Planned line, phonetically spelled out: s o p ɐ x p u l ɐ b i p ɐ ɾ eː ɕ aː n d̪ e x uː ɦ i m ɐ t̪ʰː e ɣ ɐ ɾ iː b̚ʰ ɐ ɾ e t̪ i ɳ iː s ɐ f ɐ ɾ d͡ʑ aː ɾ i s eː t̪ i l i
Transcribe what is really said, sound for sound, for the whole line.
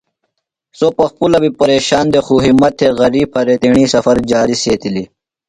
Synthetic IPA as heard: s o p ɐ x p u l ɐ b i p ɐ ɾ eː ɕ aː n d̪ e x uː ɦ i m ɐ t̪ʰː e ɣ ɐ ɾ iː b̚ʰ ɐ ɾ e t̪ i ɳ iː s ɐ f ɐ ɾ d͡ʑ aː ɾ i s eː t̪ i l i